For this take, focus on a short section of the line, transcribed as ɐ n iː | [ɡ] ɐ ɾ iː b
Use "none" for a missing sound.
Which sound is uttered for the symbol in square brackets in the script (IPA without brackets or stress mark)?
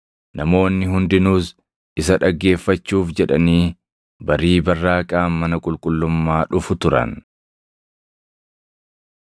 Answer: b